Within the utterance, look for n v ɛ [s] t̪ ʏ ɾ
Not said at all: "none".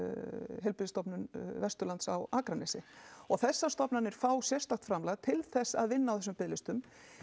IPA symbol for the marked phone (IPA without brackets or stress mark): s